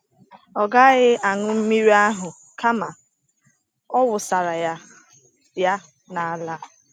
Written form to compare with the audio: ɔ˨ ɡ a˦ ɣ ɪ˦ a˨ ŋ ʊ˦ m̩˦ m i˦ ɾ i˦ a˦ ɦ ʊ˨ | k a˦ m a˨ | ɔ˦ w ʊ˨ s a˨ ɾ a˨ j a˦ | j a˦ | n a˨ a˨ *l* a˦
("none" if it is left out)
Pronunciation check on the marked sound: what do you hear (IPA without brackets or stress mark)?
l